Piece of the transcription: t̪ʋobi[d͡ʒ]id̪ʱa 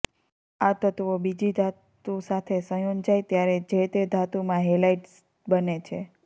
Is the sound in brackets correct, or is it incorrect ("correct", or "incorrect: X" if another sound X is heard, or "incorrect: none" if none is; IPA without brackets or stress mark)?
correct